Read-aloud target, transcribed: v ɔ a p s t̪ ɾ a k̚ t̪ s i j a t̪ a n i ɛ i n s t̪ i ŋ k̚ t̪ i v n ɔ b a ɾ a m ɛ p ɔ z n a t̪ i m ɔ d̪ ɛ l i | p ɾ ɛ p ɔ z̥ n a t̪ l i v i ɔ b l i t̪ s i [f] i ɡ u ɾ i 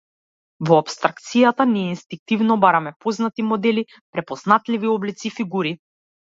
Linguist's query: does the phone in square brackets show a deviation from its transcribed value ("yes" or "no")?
no